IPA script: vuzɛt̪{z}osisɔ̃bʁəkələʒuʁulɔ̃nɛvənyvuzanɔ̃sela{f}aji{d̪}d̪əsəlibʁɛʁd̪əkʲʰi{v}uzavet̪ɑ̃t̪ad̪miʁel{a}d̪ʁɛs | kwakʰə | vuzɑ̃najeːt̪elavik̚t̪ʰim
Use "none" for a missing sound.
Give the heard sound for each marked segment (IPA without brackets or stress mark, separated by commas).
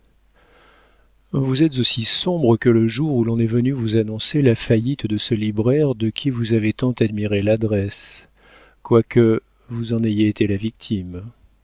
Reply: z, f, t̪, v, a